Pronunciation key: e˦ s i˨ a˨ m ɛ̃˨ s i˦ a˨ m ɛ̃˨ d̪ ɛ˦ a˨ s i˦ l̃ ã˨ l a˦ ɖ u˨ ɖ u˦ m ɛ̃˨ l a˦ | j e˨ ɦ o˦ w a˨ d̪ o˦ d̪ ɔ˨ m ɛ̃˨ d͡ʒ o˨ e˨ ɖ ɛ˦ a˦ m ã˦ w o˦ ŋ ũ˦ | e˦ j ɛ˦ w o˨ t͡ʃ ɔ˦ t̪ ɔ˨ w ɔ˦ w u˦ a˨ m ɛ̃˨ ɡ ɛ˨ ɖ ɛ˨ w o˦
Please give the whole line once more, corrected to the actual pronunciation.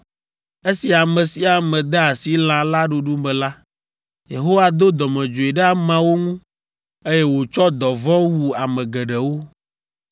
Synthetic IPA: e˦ s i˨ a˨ m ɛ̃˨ s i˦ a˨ m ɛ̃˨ d̪ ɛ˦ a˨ s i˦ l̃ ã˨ l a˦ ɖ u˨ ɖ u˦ m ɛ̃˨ l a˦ | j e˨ ɦ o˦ w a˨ d̪ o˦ d̪ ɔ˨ m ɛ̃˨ d͡ʒ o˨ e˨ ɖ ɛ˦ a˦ m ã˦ w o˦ ŋ ũ˦ | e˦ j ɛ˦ w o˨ t͡ʃ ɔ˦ d̪ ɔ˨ v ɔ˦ w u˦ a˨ m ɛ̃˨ ɡ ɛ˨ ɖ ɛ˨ w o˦